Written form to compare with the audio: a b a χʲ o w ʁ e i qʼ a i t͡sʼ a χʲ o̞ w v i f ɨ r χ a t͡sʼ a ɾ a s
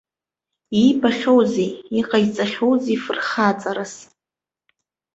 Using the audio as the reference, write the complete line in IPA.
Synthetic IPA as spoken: i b a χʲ o w z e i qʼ a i t͡sʼ a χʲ o̞ w z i f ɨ r χ a t͡sʼ a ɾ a s